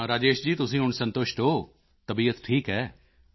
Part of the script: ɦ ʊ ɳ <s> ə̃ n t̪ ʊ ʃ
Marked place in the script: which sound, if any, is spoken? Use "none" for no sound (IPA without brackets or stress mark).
s